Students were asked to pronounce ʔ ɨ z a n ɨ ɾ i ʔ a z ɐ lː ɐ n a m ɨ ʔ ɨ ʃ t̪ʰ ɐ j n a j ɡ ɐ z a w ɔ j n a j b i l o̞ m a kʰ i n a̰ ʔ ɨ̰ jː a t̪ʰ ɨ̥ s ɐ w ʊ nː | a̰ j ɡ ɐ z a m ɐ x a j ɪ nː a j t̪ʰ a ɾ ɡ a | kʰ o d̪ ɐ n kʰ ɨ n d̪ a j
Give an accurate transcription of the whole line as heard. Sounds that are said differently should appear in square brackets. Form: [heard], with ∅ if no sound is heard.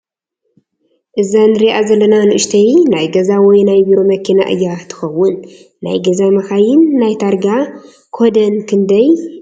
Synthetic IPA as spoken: ʔ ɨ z a n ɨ ɾ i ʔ a z ɐ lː ɐ n a [n] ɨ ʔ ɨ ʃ t̪ʰ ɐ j n a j ɡ ɐ z a w ɔ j n a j b i [ɾ] o̞ m [ɐ] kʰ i n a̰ ʔ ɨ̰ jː a t̪ʰ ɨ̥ [x] ɐ w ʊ nː | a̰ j ɡ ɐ z a m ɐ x a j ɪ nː a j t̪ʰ a ɾ ɡ a | kʰ o d̪ ɐ n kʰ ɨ n d̪ [ɐ] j